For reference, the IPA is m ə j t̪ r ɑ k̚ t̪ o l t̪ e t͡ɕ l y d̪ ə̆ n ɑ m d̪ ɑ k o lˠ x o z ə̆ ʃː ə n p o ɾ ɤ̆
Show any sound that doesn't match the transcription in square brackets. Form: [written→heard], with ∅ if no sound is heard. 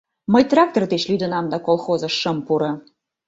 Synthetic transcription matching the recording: m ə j t̪ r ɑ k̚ t̪ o [l→r] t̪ e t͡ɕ l y d̪ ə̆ n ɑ m d̪ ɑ k o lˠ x o z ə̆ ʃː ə [n→m] p [o→u] ɾ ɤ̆